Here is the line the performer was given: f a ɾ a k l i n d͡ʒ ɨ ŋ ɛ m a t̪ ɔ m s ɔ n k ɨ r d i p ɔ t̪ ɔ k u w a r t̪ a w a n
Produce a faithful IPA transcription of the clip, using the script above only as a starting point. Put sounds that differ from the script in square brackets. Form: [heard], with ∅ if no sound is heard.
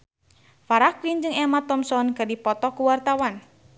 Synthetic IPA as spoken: f a ɾ a k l i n d͡ʒ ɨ ŋ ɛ m a t̪ ɔ m s ɔ n k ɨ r d i p ɔ t̪ ɔ k u w a r t̪ a w a n